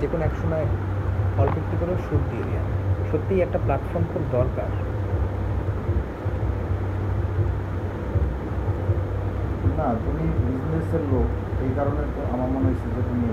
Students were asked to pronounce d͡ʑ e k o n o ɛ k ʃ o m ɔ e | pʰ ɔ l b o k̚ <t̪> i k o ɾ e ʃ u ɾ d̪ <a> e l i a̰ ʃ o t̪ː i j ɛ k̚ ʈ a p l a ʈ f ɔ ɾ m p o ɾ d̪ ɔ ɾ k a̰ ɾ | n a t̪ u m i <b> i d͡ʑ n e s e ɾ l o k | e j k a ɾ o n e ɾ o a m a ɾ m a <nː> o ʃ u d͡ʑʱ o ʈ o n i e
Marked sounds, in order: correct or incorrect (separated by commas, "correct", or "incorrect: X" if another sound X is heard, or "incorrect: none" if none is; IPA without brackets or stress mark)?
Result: correct, incorrect: i, correct, incorrect: n